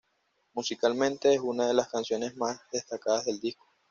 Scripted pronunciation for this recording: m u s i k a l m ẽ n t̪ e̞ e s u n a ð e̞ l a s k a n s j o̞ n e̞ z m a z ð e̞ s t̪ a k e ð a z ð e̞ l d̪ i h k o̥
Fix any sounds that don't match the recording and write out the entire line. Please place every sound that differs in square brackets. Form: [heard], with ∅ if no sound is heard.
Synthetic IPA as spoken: m u s i k a l m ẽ n t̪ e̞ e s u n a ð e̞ l a s k a n s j o̞ n e̞ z m a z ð e̞ s t̪ a k [a] ð a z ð e̞ l d̪ i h k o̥